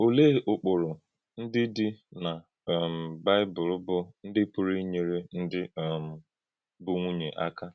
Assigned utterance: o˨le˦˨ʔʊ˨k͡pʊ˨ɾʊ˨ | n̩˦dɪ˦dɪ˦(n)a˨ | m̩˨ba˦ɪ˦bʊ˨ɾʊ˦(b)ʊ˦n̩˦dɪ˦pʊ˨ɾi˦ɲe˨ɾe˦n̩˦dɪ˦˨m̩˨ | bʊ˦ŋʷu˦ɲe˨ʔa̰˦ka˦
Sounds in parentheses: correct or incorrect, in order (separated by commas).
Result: correct, correct